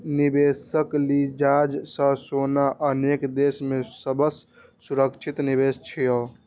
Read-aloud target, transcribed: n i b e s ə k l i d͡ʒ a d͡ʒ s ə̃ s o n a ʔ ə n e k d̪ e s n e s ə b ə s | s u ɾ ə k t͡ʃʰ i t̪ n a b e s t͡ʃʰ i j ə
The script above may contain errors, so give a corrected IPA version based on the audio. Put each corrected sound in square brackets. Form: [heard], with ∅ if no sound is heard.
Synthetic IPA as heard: n i b e s ə k l i d͡ʒ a d͡ʒ s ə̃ s o n a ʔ ə n e k d̪ e s [m] e s ə b ə s | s u ɾ ə k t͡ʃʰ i t̪ n [i] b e s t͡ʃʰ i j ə